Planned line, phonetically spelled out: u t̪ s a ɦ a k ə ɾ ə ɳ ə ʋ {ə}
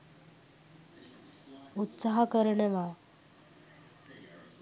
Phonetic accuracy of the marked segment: incorrect: a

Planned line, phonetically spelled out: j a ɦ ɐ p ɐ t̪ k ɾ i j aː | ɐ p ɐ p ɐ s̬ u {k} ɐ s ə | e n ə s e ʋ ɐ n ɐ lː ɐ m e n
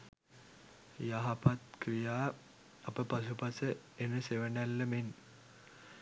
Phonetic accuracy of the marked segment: incorrect: p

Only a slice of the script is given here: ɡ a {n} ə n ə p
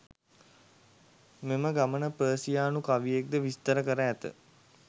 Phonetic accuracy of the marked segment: incorrect: m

